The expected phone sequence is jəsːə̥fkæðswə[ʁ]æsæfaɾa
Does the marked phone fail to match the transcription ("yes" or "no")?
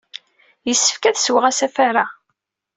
no